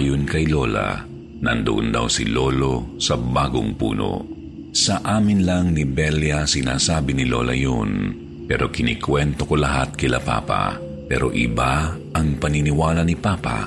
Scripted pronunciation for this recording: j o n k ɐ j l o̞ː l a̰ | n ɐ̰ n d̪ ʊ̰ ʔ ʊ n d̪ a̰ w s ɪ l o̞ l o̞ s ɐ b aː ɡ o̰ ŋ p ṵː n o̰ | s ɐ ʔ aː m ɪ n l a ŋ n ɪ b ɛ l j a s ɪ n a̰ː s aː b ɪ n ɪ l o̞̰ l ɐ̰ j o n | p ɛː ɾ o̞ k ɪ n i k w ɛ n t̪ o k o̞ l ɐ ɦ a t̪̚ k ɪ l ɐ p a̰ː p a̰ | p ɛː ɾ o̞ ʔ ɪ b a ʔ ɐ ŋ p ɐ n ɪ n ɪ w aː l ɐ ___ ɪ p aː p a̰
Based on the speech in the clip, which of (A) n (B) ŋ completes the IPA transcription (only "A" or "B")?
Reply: A